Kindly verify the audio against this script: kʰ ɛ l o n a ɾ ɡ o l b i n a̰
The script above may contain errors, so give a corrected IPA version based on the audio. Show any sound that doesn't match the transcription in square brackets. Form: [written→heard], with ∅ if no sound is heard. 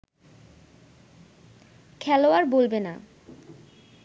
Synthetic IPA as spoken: kʰ ɛ l o [n→∅] a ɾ [ɡ→b] o l b [i→e] n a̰